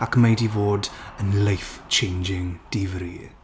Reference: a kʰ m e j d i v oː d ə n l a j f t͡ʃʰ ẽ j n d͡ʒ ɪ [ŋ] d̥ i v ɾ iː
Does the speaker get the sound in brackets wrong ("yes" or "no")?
no